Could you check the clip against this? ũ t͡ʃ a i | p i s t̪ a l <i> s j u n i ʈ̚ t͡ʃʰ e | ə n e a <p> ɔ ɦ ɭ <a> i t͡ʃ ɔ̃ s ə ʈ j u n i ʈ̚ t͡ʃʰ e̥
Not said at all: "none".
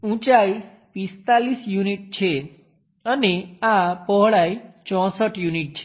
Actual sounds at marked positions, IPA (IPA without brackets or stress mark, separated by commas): i, p, a